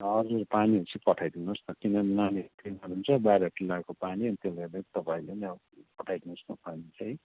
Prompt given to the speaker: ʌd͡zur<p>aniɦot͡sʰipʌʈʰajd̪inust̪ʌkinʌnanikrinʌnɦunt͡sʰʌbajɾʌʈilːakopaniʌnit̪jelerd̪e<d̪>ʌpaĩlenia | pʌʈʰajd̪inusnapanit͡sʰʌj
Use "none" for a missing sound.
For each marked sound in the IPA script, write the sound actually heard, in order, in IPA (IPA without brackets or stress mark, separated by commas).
p, t̪